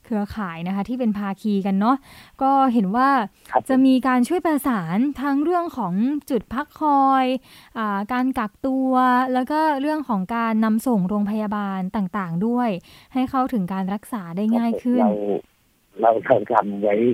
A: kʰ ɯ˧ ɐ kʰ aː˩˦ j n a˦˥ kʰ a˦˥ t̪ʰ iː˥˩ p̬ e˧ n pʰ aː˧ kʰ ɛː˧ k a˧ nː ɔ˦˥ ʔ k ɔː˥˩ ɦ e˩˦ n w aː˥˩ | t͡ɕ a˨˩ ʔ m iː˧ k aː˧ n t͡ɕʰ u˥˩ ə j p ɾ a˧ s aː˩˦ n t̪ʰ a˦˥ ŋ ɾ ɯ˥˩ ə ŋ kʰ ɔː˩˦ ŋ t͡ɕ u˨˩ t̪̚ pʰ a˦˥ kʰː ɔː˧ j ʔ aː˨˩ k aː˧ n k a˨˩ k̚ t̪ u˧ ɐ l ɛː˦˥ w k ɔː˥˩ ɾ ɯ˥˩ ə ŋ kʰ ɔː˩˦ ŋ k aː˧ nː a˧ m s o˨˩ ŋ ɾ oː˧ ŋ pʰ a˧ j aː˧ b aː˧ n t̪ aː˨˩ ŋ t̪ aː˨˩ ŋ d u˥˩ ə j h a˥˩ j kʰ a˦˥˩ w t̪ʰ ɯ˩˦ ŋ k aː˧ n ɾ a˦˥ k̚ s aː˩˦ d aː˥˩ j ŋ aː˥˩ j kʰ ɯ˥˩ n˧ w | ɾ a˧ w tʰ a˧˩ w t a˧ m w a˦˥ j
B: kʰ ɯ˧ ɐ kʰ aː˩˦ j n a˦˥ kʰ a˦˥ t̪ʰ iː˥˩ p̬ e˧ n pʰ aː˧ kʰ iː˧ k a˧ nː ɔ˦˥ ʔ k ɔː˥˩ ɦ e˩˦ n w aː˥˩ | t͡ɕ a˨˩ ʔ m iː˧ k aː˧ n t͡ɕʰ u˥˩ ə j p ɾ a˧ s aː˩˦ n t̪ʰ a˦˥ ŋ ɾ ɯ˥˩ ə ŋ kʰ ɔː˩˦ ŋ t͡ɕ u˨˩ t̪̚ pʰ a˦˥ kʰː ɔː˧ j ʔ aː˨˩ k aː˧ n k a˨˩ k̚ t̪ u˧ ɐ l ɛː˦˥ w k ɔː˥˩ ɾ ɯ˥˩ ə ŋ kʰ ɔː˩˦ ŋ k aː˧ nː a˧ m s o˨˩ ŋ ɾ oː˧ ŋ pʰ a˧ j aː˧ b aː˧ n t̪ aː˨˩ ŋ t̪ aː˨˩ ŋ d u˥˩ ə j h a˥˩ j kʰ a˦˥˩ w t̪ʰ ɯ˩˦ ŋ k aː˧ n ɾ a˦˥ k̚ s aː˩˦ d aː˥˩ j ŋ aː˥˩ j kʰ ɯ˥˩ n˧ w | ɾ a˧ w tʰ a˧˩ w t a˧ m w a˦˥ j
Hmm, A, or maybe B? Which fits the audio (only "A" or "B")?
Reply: B